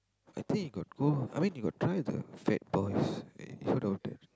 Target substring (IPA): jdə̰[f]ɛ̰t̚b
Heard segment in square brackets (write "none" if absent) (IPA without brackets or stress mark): f